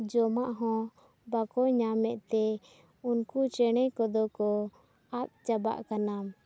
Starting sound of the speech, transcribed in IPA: d͡ʒ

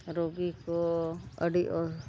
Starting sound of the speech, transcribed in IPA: ɾ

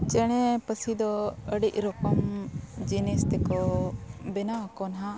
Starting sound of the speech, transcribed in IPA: t͡ʃ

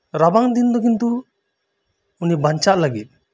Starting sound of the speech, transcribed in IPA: ɾ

